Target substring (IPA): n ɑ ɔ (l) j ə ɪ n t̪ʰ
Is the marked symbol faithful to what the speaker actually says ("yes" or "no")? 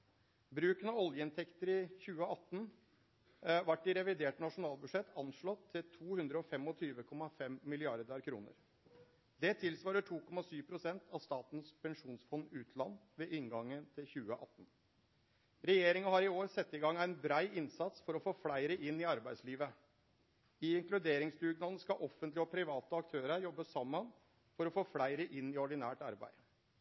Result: yes